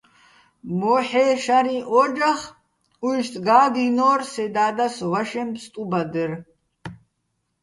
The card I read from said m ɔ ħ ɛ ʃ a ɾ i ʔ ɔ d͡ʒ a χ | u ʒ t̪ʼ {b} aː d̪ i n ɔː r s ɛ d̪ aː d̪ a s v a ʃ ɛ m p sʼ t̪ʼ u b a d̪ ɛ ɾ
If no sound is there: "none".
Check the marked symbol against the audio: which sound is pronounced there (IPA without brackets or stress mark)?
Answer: ɡ